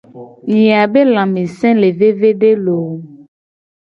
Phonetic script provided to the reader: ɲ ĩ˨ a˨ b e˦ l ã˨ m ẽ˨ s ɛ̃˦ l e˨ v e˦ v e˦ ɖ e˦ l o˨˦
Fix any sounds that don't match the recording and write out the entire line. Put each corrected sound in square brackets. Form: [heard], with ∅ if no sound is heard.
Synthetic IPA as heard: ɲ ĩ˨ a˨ b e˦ l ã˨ m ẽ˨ s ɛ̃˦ l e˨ v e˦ v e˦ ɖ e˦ l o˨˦